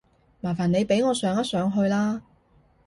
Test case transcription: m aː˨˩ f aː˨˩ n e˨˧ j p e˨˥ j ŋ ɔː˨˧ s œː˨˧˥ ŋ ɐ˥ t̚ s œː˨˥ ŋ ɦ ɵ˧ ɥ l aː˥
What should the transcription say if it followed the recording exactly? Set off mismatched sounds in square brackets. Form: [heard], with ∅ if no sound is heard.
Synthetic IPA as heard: m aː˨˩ f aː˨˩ n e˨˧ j p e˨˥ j ŋ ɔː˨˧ s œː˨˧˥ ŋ ɐ˥ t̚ s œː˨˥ ŋ ɦ ɵ˧ ɥ l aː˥